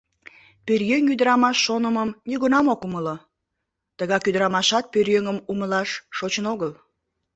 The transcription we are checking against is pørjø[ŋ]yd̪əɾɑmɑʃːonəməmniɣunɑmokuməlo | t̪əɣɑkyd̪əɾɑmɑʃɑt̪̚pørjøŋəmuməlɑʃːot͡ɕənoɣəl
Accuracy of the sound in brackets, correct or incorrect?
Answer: correct